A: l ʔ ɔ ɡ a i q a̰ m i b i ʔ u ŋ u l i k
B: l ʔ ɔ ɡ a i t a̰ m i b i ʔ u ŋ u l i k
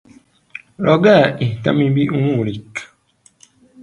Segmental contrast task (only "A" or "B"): B